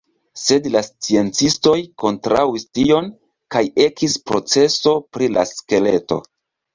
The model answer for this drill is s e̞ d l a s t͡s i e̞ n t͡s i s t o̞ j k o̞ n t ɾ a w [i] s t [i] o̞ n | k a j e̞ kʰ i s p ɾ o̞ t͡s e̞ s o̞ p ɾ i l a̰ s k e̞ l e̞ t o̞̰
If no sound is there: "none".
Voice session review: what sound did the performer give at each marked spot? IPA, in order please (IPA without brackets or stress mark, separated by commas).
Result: i, i